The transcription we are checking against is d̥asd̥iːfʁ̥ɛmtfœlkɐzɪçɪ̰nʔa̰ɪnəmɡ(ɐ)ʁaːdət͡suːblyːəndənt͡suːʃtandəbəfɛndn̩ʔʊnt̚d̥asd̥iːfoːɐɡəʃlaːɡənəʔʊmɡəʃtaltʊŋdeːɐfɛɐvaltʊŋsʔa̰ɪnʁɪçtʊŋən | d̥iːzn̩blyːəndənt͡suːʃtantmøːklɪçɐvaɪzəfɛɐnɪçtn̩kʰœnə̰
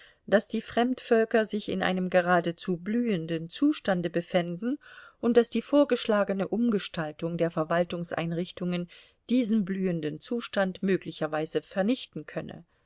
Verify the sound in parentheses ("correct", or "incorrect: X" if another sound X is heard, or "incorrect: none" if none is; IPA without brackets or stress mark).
incorrect: ə